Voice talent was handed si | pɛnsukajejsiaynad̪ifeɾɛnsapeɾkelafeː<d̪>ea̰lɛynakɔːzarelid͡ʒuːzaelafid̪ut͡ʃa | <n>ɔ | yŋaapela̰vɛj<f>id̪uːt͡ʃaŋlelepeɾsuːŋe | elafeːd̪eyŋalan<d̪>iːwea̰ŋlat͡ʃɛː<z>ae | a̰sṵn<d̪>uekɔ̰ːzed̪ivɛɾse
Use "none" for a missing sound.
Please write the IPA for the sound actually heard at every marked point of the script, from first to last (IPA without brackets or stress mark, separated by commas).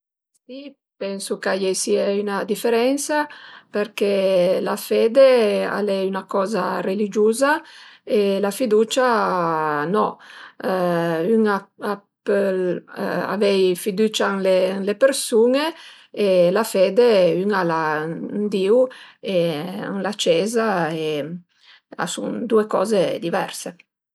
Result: d̪, n, f, d̪, z, d̪